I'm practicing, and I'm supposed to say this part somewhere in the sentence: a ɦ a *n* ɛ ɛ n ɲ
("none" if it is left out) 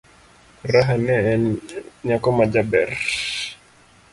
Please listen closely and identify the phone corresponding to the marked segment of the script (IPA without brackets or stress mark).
n